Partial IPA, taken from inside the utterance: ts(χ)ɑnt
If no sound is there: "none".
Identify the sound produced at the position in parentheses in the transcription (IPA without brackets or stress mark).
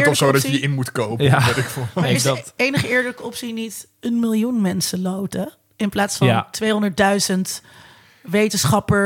f